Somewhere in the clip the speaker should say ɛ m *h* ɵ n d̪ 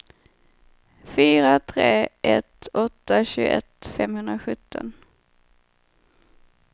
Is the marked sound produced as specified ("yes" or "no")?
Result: yes